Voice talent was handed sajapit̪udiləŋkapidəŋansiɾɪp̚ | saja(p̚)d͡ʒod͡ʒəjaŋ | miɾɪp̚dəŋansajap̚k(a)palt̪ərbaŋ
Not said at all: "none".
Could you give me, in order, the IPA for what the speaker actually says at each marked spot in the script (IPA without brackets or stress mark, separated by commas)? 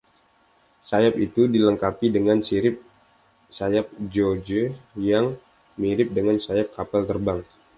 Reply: p̚, a